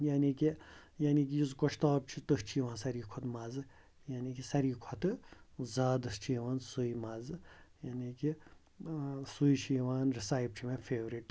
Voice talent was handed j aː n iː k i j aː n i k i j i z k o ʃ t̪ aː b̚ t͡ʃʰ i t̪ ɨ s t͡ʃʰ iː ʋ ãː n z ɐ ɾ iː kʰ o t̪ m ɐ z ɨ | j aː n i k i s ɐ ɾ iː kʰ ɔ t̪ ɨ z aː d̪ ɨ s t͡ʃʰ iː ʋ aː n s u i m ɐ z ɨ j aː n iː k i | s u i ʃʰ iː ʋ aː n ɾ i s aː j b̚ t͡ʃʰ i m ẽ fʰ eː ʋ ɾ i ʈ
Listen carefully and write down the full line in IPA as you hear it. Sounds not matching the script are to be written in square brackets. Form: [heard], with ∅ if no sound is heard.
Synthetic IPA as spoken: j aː n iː k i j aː n i k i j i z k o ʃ t̪ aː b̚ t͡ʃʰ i t̪ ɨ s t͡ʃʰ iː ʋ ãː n [s] ɐ ɾ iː kʰ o t̪ m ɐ z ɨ | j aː n i k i s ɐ ɾ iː kʰ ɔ t̪ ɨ z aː d̪ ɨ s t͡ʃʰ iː ʋ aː n s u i m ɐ z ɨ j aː n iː k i | s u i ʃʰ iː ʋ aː n ɾ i s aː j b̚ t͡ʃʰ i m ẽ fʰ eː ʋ ɾ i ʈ